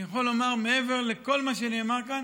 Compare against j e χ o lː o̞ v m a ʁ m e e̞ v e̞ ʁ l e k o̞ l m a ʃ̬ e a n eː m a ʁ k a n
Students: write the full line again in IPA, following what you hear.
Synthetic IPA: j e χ o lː o̞ m a ʁ m e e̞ v e̞ ʁ l e k o̞ l m a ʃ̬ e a n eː m a ʁ k a n